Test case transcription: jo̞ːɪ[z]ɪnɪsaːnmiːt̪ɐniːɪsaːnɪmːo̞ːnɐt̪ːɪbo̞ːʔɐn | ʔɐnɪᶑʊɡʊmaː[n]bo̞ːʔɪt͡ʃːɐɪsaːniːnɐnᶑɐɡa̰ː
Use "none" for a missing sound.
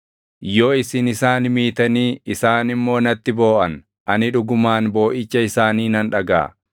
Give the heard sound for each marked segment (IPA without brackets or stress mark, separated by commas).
s, n